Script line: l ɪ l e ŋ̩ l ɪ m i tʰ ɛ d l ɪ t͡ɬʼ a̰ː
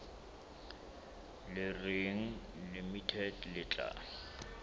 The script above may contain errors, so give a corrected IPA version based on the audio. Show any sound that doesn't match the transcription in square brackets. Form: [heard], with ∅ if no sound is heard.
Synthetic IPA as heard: l ɪ [r] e ŋ̩ l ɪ m i tʰ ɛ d l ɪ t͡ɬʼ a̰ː